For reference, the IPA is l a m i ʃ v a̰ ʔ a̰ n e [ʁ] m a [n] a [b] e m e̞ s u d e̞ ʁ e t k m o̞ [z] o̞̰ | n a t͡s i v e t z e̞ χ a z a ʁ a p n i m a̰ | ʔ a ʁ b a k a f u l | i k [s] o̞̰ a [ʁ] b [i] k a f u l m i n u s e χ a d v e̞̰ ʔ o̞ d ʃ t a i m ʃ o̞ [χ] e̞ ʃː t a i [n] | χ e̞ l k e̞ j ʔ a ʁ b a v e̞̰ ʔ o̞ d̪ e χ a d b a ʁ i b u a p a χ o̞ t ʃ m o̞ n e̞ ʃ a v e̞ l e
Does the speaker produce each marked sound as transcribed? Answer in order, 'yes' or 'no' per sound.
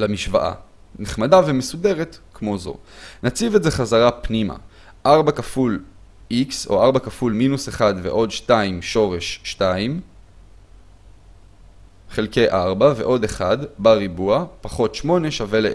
no, no, no, yes, yes, yes, no, no, no

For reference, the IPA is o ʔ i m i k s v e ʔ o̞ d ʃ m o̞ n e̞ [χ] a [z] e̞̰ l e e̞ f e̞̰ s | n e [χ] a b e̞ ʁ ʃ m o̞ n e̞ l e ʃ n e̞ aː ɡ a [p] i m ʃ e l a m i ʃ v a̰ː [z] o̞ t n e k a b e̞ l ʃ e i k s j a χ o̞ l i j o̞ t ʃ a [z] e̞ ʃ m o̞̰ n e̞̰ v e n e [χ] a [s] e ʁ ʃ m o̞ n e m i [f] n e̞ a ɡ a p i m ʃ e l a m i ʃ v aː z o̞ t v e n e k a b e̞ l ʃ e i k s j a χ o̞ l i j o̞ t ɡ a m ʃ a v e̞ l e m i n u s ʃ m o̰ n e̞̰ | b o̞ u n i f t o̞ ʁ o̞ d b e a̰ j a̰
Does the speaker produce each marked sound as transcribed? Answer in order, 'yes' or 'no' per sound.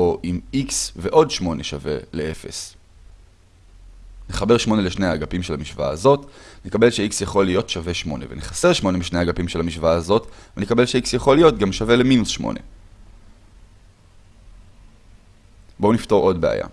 no, no, yes, yes, yes, no, yes, yes, no

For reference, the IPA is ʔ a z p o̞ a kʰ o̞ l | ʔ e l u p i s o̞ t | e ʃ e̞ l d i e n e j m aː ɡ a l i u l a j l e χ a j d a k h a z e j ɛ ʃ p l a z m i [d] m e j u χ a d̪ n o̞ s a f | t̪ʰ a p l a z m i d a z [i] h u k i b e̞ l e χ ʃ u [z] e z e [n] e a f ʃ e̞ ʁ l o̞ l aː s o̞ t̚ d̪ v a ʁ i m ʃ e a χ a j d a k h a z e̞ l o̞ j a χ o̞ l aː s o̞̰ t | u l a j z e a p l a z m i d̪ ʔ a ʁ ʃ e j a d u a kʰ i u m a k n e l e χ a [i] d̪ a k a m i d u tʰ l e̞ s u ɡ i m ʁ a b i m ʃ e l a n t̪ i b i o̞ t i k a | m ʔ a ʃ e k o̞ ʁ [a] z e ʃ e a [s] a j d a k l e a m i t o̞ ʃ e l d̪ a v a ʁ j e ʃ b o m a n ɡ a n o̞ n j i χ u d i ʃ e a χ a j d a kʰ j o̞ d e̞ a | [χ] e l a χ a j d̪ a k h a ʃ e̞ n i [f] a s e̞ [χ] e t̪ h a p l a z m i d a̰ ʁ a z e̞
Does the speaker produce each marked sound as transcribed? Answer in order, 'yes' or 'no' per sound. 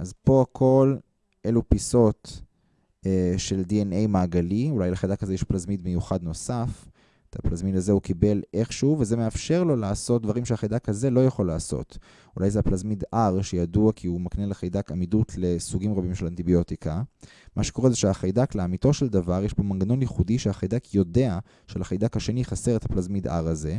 yes, no, no, no, no, no, no, no, no, no

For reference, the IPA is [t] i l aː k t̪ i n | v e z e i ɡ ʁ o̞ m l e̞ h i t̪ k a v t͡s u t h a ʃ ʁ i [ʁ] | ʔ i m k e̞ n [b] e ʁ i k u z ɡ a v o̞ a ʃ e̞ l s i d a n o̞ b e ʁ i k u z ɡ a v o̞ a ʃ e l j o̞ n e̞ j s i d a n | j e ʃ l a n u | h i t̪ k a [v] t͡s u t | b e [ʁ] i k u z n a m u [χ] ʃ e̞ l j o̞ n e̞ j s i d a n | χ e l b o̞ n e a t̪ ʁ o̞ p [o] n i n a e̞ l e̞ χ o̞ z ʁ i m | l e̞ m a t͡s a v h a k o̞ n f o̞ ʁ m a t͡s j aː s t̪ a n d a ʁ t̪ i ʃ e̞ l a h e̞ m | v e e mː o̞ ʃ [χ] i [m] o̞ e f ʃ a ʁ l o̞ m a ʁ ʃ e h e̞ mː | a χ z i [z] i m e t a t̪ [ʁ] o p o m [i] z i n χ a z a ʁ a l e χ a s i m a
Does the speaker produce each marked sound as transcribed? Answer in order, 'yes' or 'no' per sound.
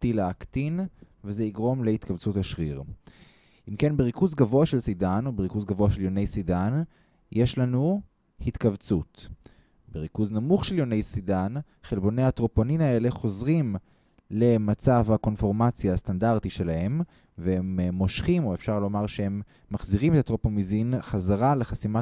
yes, yes, yes, yes, yes, yes, yes, yes, yes, no, yes, yes

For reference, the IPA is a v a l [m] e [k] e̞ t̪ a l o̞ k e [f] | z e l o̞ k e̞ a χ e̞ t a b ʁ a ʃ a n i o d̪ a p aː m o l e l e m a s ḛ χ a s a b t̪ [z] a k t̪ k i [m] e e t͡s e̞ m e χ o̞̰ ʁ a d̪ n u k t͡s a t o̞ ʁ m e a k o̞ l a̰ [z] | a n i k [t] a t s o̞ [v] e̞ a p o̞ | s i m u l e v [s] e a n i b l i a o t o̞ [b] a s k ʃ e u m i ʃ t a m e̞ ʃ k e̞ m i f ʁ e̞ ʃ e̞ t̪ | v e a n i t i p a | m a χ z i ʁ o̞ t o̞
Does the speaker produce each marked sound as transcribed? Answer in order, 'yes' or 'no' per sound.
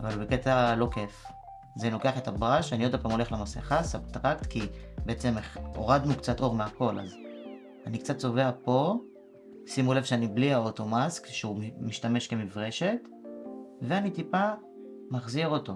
no, yes, yes, no, no, yes, no, yes, no, no

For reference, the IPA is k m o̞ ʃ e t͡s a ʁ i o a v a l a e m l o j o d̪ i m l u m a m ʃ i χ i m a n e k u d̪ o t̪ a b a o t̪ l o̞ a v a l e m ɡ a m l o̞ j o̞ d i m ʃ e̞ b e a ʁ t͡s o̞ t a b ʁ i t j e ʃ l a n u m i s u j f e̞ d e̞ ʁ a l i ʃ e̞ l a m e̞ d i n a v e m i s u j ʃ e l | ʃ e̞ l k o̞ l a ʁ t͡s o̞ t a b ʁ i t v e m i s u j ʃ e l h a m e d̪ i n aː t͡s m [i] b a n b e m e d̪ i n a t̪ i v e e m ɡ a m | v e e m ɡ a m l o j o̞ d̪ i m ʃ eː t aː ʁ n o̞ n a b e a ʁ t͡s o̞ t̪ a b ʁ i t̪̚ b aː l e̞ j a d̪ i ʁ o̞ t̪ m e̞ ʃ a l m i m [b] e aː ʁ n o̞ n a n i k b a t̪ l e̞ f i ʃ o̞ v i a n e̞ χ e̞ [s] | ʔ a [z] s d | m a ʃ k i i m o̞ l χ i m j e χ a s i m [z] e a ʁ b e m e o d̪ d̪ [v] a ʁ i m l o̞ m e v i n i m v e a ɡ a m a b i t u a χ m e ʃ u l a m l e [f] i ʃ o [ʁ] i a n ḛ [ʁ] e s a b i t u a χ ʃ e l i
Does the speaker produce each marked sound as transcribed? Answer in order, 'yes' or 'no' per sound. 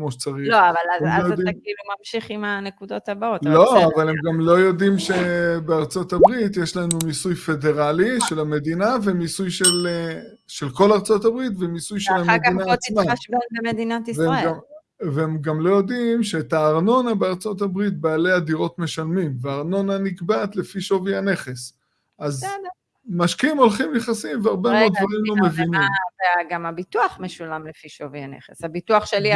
no, no, yes, yes, no, yes, yes, no, no

